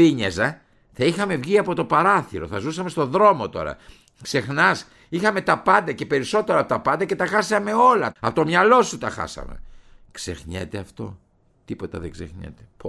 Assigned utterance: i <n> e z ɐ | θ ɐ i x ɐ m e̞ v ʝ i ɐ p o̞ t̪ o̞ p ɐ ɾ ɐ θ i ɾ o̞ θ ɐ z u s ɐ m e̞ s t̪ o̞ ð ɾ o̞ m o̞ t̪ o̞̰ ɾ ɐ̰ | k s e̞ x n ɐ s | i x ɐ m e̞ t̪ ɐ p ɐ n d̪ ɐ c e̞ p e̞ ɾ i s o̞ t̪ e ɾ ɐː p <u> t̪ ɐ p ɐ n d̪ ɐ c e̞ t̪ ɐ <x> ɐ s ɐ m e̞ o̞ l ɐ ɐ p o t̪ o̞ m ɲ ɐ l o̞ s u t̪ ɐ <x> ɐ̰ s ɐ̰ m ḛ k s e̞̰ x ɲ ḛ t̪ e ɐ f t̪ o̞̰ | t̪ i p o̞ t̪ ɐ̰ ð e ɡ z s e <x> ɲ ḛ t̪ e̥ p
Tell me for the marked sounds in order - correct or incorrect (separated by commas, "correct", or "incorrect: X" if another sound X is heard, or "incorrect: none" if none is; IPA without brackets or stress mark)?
incorrect: ɲ, incorrect: o, correct, correct, correct